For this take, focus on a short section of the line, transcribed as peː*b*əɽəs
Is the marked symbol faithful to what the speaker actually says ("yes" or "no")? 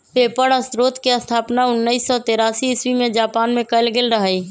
no